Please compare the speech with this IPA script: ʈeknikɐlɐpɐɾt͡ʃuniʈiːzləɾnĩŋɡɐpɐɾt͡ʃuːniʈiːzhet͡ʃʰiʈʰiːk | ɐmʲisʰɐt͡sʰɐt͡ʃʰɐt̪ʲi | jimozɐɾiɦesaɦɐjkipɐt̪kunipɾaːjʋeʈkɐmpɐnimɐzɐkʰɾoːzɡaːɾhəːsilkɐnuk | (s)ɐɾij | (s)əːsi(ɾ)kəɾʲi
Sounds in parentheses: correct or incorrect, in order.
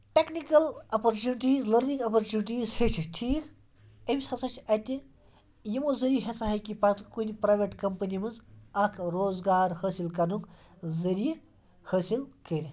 incorrect: z, incorrect: h, incorrect: l

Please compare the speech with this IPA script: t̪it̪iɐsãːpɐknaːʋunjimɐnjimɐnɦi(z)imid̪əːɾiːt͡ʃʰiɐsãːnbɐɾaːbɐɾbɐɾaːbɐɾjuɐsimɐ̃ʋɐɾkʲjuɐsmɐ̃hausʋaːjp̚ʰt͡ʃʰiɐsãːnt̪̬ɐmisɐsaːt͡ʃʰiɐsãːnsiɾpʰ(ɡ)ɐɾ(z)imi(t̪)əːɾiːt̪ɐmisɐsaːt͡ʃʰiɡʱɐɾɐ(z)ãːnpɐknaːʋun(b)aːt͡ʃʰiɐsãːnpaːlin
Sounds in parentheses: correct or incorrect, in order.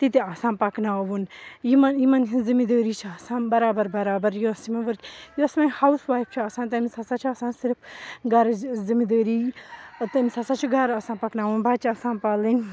correct, correct, correct, incorrect: d̪, incorrect: s, correct

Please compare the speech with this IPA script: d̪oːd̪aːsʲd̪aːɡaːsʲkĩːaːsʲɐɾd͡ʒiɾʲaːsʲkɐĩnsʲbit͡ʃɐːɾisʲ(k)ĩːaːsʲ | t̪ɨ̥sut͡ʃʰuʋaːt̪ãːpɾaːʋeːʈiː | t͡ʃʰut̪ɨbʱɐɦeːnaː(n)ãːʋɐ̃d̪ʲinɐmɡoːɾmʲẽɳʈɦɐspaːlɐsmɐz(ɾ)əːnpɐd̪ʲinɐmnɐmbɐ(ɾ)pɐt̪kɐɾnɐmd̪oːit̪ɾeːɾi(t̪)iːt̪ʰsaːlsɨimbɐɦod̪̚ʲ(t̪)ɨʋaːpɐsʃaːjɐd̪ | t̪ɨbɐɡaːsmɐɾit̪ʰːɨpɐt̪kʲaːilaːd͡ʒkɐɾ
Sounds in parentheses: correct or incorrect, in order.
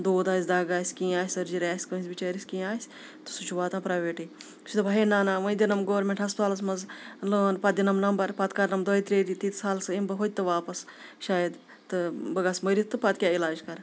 correct, correct, incorrect: l, correct, correct, correct

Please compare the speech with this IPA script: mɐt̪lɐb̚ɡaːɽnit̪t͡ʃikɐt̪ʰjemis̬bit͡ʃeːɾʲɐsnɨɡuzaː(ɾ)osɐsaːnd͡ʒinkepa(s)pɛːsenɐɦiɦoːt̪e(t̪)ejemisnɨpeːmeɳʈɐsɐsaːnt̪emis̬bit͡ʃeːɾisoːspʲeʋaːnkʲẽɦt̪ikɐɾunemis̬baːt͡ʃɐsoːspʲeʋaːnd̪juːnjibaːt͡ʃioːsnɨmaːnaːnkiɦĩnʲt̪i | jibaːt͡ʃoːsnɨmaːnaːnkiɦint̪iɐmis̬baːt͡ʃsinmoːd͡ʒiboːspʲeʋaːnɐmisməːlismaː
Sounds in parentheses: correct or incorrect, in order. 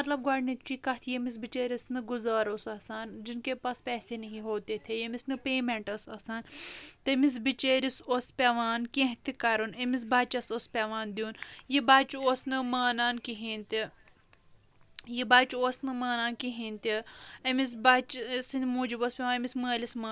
correct, correct, incorrect: t̪ʰ

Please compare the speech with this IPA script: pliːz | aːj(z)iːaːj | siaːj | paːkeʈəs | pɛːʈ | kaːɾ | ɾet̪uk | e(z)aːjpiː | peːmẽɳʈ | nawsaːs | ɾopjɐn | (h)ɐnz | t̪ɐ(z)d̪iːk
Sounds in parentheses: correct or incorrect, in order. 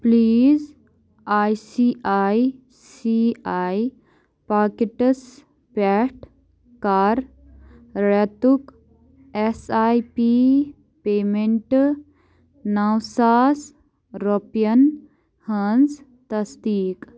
incorrect: s, incorrect: s, correct, incorrect: s

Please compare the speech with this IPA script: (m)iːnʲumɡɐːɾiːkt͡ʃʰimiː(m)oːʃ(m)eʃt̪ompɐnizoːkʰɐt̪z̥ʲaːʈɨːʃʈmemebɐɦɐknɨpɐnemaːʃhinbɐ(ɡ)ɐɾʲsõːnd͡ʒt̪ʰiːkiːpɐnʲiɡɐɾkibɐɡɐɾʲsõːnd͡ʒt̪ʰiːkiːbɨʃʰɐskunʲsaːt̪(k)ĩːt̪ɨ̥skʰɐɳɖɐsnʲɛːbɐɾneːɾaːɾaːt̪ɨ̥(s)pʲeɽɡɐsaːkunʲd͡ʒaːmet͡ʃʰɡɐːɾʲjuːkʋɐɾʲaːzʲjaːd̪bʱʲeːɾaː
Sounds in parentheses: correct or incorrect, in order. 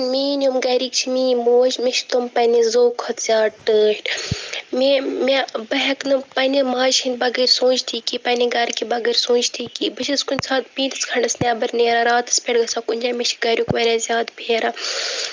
correct, correct, correct, correct, incorrect: p, correct

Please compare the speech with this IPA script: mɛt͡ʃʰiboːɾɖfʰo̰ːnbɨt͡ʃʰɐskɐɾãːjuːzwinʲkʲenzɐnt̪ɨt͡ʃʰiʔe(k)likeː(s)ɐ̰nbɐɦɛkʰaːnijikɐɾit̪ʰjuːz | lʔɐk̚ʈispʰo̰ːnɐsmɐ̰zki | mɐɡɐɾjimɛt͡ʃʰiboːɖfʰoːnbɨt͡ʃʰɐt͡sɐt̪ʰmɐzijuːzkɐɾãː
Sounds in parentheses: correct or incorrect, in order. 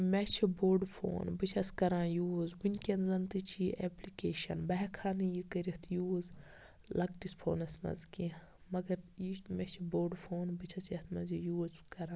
incorrect: p, incorrect: ʃ

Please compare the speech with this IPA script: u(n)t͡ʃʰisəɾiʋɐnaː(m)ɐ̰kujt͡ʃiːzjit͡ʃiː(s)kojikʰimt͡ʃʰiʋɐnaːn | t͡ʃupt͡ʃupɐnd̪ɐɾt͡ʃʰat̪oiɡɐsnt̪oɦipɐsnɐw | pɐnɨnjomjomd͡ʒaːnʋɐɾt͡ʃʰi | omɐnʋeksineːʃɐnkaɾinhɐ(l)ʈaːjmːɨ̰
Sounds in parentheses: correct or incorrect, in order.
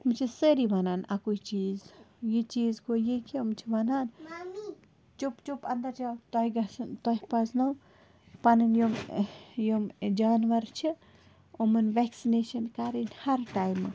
incorrect: m, incorrect: n, incorrect: z, incorrect: ɾ

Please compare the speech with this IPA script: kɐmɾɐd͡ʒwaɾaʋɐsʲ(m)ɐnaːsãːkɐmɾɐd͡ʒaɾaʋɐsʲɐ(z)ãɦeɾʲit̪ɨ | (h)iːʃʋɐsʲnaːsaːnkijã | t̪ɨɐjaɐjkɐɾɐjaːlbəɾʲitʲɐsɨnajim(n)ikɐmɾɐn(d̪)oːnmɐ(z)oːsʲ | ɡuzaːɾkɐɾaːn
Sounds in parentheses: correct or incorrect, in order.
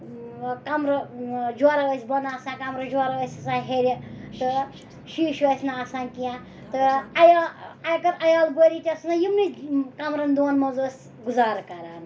incorrect: b, incorrect: s, incorrect: ʃ, correct, correct, correct

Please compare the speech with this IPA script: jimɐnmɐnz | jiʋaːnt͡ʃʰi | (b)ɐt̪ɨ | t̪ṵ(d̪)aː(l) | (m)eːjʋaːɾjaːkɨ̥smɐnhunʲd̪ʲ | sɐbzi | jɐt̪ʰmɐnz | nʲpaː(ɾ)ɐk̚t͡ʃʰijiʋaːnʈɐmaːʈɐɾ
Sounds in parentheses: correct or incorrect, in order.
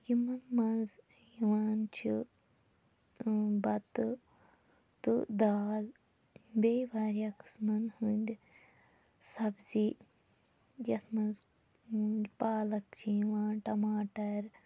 correct, correct, correct, incorrect: b, incorrect: l

